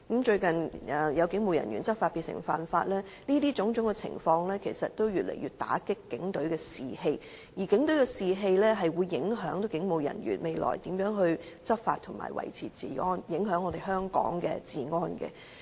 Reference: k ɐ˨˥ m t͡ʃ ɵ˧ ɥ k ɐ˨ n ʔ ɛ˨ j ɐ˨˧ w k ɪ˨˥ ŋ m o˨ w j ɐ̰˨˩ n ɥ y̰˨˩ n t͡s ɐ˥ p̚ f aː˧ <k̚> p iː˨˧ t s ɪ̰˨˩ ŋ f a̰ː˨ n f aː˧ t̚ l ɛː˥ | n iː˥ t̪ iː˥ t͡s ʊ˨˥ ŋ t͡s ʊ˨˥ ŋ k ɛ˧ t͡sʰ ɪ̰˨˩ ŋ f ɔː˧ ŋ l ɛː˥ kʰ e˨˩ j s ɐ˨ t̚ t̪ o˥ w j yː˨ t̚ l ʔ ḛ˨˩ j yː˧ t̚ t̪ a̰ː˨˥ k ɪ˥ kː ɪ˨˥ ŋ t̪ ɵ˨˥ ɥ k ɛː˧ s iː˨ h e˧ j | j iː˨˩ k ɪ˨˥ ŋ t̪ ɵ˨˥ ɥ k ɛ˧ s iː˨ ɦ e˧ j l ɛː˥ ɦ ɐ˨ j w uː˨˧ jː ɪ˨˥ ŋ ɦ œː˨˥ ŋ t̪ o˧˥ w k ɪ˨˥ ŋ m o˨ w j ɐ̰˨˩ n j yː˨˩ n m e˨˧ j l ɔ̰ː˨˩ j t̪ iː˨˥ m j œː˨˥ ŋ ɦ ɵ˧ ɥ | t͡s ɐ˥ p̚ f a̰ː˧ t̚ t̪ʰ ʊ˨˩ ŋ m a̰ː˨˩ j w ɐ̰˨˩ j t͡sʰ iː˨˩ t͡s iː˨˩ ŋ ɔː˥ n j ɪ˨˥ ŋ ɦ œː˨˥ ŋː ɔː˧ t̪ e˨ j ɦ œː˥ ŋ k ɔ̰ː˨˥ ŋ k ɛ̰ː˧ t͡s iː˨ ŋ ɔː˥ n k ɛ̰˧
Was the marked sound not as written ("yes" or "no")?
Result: yes